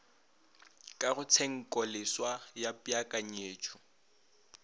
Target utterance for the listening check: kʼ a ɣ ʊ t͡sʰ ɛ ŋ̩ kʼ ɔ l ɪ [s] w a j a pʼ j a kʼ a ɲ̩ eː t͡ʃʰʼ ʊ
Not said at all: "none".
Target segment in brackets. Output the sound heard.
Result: s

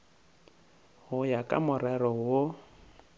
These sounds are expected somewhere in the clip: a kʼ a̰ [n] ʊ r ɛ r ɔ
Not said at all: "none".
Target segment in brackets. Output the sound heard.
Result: m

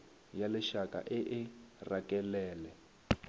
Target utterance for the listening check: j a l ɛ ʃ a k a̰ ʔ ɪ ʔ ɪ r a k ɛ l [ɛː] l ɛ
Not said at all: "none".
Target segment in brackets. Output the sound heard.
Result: ɛː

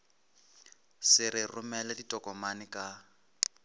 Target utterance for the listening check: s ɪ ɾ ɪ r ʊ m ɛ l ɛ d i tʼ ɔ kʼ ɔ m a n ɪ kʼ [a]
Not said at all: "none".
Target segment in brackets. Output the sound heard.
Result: a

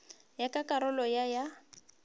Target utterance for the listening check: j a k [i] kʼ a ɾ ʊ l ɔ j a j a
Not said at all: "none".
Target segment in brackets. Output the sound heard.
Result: a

